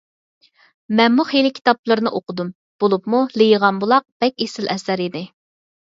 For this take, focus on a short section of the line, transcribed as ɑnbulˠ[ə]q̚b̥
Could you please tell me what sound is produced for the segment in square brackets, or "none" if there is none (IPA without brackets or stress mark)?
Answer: ɑ